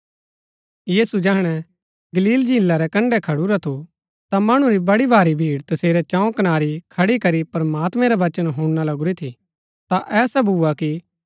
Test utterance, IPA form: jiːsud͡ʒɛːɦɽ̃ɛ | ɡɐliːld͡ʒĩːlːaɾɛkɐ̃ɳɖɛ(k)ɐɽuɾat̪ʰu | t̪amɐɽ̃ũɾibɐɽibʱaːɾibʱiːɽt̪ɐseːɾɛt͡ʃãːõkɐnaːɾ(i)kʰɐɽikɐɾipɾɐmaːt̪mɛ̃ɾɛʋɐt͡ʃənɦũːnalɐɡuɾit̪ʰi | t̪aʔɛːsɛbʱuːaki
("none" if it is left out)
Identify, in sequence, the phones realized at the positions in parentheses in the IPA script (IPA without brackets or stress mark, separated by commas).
kʰ, i